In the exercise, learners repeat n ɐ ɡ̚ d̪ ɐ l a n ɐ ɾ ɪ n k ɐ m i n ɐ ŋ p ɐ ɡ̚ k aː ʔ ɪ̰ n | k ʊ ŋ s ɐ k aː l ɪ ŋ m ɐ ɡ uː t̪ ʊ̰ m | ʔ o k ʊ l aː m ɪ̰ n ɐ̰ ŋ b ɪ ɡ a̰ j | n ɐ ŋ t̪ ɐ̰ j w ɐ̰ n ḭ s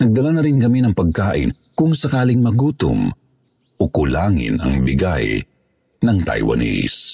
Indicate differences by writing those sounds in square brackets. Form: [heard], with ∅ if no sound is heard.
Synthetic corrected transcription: n ɐ ɡ̚ d̪ ɐ l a n ɐ ɾ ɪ n k ɐ m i n ɐ ŋ p ɐ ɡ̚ k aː ʔ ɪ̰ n | k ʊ ŋ s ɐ k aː l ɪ ŋ m ɐ ɡ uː t̪ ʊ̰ m | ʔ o k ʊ l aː [ŋ] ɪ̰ n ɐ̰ ŋ b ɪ ɡ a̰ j | n ɐ ŋ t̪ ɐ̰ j w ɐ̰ n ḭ s